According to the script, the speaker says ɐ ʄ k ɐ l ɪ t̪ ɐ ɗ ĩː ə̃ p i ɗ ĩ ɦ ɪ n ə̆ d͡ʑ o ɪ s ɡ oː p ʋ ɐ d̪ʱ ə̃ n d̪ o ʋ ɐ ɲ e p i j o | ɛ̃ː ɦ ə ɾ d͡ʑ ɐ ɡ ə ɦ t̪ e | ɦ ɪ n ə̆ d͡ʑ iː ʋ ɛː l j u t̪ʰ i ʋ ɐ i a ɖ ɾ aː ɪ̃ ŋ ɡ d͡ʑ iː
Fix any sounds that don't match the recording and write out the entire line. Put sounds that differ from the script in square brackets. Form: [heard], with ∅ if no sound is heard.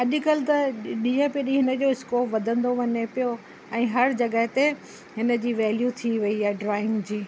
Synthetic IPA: ɐ ʄ k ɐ l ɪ t̪ ɐ ɗ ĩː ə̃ p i ɗ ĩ ɦ ɪ n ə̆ d͡ʑ o ɪ s [k] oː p ʋ ɐ d̪ʱ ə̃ n d̪ o ʋ ɐ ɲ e p i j o | ɛ̃ː ɦ [ɐ] ɾ d͡ʑ ɐ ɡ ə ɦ t̪ e | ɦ ɪ n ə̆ d͡ʑ iː ʋ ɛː l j u t̪ʰ i ʋ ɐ i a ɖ ɾ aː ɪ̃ ŋ ɡ d͡ʑ iː

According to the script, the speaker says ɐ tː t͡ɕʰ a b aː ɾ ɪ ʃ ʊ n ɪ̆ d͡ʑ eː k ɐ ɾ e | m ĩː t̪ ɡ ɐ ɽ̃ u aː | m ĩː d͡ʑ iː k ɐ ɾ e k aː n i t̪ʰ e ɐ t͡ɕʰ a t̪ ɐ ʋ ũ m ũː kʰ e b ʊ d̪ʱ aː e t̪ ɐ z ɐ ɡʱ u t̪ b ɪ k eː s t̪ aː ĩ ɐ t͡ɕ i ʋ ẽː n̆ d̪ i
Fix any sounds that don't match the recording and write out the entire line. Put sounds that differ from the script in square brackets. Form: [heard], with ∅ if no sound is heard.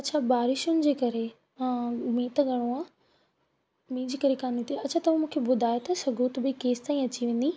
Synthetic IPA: ɐ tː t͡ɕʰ a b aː ɾ ɪ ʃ ʊ n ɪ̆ d͡ʑ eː k ɐ ɾ e | m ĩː t̪ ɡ ɐ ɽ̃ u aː | m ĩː d͡ʑ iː k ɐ ɾ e k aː n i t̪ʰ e ɐ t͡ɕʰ a t̪ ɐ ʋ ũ m ũː kʰ e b ʊ d̪ʱ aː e t̪ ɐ [s] ɐ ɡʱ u t̪ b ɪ k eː s t̪ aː ĩ ɐ t͡ɕ i ʋ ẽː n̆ d̪ i

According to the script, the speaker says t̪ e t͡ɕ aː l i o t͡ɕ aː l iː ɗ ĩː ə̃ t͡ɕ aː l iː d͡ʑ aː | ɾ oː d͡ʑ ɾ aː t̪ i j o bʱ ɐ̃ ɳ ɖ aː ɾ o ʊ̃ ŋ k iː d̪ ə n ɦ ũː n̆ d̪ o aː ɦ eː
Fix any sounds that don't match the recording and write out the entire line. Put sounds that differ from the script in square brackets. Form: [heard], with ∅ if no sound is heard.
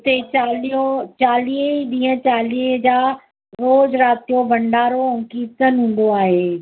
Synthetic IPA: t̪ e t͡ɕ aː l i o t͡ɕ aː l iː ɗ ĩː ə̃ t͡ɕ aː l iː d͡ʑ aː | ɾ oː d͡ʑ ɾ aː t̪ i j o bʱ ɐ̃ ɳ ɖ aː ɾ o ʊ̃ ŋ k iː [t̪] ə n ɦ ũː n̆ d̪ o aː ɦ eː

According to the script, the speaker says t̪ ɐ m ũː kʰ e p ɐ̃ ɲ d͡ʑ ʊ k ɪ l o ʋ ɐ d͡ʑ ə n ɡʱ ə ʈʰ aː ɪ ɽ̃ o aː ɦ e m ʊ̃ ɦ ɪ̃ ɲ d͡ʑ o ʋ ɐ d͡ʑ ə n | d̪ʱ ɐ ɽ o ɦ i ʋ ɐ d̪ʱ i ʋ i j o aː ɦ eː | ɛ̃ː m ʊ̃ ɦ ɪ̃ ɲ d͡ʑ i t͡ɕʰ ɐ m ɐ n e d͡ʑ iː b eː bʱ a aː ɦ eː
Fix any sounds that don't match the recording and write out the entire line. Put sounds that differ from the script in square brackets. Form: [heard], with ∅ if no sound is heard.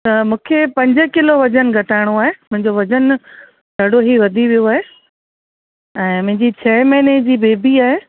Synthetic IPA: t̪ ɐ m ũː kʰ e p ɐ̃ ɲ d͡ʑ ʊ k ɪ l o ʋ ɐ d͡ʑ ə n ɡʱ [ɐ] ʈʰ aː ɪ ɽ̃ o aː ɦ e m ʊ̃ ɦ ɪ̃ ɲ d͡ʑ o ʋ ɐ d͡ʑ ə n | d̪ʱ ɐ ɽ o ɦ i ʋ ɐ d̪ʱ i ʋ i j o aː ɦ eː | ɛ̃ː m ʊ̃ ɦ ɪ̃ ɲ d͡ʑ i t͡ɕʰ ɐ m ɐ n e d͡ʑ iː b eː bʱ [i] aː ɦ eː

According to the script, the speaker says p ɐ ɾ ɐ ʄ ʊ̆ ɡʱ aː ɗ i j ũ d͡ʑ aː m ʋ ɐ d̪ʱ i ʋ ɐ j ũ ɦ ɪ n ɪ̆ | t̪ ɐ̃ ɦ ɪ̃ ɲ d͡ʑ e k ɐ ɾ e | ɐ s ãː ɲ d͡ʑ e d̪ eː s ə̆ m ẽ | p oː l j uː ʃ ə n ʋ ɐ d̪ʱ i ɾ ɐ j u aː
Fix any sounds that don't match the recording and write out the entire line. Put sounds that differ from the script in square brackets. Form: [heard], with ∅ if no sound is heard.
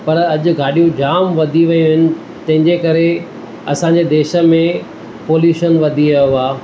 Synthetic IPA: p ɐ ɾ ɐ ʄ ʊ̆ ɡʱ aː ɗ i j ũ d͡ʑ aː m ʋ ɐ d̪ʱ i ʋ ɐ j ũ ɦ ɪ n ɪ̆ | t̪ ɐ̃ ɦ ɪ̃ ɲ d͡ʑ e k ɐ ɾ e | ɐ s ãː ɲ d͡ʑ e d̪ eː [ʃ] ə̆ m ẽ | p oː l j uː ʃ ə n ʋ ɐ d̪ʱ i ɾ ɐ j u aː

